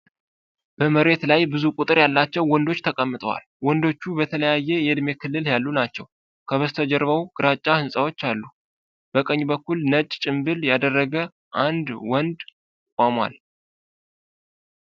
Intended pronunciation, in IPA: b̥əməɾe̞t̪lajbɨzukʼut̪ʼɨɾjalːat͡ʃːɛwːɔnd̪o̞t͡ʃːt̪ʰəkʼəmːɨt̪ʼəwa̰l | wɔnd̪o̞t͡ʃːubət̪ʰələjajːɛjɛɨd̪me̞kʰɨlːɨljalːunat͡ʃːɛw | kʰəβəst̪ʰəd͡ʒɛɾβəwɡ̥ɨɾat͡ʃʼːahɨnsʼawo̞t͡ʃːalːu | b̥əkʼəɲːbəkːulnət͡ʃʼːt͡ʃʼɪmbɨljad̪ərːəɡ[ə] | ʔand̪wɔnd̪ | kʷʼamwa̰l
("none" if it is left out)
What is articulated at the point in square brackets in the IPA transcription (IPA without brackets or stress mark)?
ə